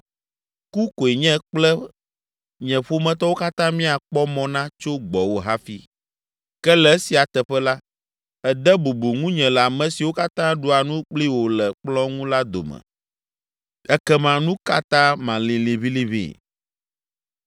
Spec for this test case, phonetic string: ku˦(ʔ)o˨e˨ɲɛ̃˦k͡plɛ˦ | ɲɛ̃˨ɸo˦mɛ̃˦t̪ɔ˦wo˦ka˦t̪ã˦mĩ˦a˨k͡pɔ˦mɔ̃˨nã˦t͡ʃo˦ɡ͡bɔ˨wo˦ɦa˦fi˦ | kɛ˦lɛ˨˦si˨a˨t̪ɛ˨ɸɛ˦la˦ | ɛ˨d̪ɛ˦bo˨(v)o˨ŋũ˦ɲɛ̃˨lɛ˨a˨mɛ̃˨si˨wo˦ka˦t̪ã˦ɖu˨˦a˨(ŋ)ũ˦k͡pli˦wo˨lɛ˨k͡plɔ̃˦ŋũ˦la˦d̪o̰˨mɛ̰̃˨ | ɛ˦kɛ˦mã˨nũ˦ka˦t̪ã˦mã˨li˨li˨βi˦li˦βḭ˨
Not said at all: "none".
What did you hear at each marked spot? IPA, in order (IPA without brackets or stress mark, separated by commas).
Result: k, b, n